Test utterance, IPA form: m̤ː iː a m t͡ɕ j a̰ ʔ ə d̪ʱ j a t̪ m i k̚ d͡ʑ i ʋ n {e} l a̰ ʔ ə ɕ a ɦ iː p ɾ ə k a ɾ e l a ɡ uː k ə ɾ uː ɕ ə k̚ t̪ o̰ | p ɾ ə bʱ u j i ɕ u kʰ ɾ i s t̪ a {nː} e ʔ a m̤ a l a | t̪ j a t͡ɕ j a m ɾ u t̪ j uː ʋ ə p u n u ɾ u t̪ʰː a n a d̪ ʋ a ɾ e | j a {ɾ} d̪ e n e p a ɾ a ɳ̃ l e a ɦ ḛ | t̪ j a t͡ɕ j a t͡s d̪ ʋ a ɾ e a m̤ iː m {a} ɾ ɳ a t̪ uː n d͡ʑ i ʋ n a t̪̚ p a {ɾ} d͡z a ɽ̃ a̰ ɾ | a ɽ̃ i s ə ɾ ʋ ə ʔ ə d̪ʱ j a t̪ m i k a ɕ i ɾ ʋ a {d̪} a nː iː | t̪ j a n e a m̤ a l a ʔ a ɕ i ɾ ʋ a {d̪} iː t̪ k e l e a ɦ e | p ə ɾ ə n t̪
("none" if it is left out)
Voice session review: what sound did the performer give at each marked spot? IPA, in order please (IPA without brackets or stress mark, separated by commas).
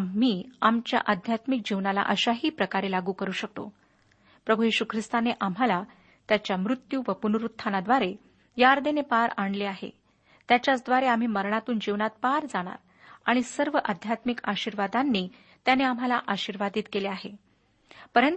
a, n, ɾ, ə, ɾ, d̪, d̪